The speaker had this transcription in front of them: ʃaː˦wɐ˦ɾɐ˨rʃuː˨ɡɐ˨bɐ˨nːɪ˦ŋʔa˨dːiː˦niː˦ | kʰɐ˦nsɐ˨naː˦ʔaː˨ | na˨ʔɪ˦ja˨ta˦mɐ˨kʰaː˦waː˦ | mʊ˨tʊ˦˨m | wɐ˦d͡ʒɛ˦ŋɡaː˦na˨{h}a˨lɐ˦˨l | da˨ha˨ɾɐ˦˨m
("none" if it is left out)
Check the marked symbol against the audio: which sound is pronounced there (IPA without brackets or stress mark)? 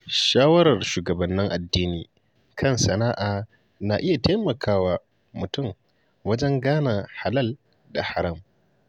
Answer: h